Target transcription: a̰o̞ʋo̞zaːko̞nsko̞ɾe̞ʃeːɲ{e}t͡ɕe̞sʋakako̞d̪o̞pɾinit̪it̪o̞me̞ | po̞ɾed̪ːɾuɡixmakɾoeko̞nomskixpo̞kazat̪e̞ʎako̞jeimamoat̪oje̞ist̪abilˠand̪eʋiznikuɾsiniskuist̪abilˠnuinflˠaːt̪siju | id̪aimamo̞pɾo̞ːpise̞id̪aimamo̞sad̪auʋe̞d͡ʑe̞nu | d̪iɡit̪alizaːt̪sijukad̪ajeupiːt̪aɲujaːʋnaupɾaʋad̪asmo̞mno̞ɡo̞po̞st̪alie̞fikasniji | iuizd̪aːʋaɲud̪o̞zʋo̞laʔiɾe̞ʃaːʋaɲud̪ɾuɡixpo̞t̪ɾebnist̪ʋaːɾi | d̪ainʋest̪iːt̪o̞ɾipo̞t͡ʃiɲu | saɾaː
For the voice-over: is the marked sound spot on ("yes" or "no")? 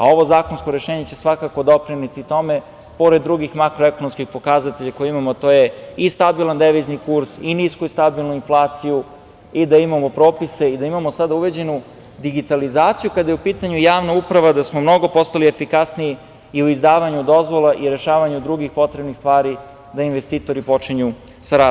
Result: yes